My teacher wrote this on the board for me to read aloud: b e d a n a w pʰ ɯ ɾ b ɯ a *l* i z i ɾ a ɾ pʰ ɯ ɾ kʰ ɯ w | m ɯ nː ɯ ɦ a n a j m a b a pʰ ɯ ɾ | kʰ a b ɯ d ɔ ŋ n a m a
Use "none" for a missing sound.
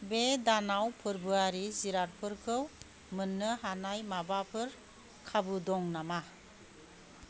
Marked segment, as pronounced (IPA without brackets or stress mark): ɾ